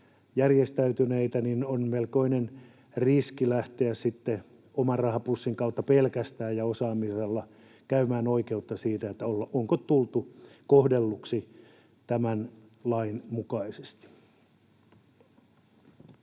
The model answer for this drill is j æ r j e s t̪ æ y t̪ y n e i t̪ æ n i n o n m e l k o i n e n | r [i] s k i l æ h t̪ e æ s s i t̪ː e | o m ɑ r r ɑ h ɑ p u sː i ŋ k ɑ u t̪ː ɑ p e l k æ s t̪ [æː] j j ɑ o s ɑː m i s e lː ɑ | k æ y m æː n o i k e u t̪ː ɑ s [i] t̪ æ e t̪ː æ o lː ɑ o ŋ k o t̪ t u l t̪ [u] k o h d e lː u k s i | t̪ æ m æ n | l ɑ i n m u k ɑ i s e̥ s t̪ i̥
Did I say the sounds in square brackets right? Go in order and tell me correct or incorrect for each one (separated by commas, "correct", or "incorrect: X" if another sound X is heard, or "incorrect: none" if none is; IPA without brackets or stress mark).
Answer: correct, correct, incorrect: iː, correct